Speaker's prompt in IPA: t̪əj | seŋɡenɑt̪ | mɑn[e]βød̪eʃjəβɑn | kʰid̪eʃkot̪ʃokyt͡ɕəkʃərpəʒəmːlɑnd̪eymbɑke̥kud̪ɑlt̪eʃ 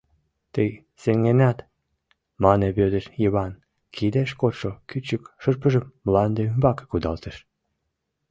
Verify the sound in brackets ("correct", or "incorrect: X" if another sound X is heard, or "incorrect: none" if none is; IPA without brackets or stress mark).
correct